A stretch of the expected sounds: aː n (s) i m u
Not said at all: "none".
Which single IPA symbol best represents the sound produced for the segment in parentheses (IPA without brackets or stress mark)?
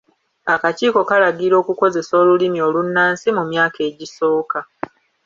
s